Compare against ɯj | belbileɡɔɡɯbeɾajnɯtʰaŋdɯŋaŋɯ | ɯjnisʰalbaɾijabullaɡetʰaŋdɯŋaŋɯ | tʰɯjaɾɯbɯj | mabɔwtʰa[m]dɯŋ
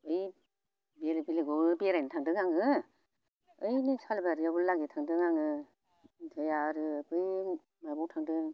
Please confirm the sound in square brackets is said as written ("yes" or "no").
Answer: no